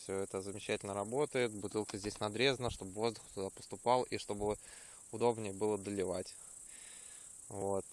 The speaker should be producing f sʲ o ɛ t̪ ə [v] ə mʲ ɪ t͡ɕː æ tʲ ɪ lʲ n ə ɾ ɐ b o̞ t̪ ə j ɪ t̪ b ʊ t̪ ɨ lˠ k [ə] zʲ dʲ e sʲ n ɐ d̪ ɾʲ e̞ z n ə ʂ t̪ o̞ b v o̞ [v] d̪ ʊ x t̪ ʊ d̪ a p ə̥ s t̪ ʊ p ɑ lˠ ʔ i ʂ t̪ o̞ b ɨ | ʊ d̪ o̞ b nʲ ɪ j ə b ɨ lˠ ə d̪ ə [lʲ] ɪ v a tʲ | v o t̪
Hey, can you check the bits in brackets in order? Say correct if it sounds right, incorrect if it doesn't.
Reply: incorrect: z, correct, incorrect: z, correct

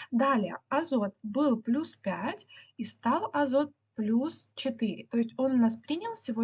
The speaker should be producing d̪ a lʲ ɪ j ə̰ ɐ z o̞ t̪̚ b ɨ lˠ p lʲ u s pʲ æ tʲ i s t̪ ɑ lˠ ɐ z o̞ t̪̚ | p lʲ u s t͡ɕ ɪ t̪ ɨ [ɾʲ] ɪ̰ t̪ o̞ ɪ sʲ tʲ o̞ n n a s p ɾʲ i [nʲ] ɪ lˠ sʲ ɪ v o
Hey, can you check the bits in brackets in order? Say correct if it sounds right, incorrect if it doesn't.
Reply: correct, correct

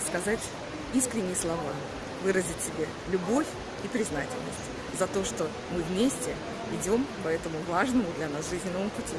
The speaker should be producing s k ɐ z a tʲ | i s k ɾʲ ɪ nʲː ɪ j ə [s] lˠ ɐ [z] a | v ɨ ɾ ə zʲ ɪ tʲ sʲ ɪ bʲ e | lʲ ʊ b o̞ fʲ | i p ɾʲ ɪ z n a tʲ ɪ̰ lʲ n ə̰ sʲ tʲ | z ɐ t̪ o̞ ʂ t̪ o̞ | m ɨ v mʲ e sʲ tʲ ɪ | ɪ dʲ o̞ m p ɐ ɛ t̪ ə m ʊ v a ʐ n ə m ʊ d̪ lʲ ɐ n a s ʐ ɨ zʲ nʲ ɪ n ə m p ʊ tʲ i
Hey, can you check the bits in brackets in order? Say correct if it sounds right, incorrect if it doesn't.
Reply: correct, incorrect: v

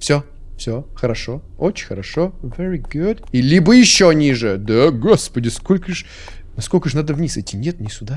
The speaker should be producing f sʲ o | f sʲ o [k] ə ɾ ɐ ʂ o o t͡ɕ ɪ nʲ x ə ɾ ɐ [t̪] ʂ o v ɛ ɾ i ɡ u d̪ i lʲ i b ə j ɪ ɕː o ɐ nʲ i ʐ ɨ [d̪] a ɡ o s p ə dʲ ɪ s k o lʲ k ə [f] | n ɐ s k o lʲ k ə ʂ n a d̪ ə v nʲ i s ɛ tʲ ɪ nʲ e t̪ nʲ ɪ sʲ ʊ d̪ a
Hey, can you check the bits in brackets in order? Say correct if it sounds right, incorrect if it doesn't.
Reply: incorrect: x, incorrect: none, correct, incorrect: ʂ

